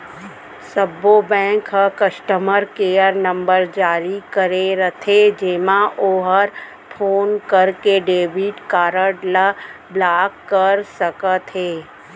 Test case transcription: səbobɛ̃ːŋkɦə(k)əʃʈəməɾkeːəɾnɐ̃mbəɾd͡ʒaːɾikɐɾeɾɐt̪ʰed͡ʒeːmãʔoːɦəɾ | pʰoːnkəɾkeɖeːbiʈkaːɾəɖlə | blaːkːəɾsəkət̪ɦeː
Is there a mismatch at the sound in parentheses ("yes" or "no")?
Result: no